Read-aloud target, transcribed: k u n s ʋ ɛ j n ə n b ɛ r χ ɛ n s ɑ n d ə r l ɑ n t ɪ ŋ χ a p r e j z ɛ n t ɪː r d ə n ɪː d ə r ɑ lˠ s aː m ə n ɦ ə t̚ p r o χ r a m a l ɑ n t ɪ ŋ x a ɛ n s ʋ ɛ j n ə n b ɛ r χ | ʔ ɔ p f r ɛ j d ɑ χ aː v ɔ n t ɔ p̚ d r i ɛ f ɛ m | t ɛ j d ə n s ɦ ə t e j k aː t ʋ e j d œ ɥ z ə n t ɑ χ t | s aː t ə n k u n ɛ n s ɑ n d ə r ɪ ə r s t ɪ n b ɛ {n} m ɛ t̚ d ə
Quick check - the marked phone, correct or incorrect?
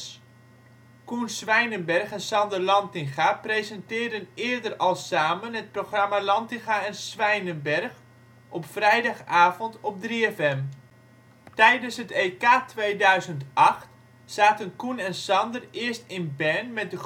correct